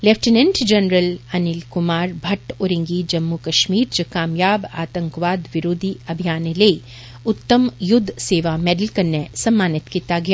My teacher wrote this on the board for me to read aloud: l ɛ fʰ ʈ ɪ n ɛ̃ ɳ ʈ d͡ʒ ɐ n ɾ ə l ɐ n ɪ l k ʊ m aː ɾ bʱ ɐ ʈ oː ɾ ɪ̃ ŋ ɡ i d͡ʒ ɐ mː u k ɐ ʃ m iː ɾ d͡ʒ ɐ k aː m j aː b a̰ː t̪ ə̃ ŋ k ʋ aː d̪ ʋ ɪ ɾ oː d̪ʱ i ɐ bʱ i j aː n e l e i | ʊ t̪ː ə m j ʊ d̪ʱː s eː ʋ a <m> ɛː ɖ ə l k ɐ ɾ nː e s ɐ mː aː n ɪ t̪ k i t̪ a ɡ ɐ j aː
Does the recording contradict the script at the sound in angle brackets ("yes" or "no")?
no